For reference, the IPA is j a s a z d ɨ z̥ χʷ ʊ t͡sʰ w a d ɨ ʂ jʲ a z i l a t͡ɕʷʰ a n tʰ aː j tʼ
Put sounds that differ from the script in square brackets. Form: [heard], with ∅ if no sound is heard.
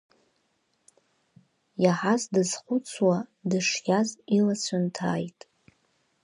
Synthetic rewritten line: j a [ħ] a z d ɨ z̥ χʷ ʊ t͡sʰ w a d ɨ ʂ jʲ a z i l a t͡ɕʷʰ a n tʰ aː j tʼ